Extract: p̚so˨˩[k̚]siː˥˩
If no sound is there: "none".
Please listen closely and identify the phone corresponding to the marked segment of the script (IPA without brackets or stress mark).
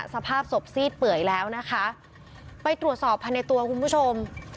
p̚